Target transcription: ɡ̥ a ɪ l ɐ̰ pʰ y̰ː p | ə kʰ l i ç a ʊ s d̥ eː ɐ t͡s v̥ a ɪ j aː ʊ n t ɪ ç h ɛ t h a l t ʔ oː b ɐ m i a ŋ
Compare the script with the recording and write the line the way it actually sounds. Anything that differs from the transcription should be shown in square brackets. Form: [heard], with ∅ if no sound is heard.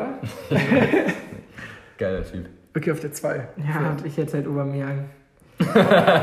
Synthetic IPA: ɡ̥ a ɪ l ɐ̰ [tʰ] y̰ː p | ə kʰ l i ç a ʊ [f] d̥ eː ɐ t͡s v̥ a ɪ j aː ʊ n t ɪ ç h ɛ t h a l t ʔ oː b ɐ m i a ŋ